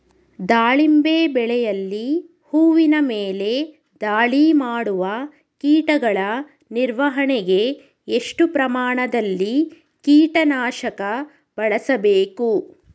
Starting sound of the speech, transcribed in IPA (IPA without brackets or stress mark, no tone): d̪